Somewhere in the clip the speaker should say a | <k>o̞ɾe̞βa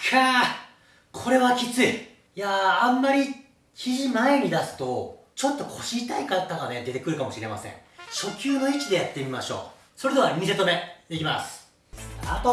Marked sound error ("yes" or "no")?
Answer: yes